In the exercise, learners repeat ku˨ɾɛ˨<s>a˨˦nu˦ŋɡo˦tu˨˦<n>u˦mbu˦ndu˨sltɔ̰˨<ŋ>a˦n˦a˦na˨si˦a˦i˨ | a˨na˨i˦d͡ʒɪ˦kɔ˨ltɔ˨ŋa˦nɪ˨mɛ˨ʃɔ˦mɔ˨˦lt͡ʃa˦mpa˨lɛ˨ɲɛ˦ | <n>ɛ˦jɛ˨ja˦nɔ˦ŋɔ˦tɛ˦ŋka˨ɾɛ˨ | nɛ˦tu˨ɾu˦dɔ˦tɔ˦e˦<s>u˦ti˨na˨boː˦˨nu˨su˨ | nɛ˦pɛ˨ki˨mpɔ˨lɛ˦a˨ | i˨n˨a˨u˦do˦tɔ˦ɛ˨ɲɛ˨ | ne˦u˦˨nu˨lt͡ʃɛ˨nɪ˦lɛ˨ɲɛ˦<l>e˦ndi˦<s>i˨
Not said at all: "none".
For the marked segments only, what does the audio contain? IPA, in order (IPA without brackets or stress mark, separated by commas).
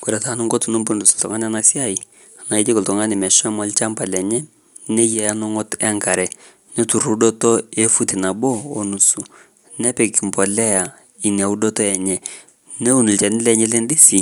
t, n, ŋ, n, f, l, s